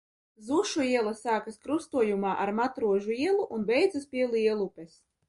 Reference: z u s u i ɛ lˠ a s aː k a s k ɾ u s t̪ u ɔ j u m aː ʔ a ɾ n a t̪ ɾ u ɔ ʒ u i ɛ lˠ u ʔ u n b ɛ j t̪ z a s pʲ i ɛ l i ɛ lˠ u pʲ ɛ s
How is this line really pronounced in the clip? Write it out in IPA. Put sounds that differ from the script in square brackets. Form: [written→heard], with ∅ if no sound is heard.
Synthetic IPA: z u [s→ʃ] u i ɛ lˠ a s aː k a s k ɾ u s t̪ u ɔ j u m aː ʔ a ɾ [n→m] a t̪ ɾ u ɔ ʒ u i ɛ lˠ u ʔ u n b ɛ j [t̪→d̪] z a s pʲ i ɛ l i ɛ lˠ u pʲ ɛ s